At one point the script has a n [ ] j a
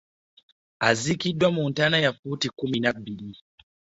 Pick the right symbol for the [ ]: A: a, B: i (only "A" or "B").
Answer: A